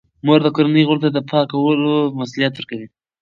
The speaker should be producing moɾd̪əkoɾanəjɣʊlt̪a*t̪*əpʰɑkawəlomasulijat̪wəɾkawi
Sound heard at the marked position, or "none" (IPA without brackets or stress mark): d̪